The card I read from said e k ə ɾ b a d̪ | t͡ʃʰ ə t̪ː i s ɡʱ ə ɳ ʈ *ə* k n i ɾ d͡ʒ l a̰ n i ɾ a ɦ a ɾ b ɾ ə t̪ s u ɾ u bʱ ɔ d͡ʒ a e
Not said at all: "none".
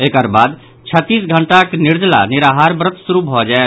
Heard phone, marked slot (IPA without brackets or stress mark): a